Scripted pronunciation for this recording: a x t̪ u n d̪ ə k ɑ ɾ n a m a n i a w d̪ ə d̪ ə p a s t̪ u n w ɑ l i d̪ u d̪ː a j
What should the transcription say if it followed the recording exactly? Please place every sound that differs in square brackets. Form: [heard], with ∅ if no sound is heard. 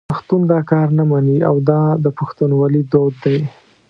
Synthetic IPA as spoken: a x t̪ u n d̪ [ɑ] k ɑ ɾ n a m a n i a w d̪ [ɑ] d̪ ə p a [x] t̪ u n w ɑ l i d̪ [o] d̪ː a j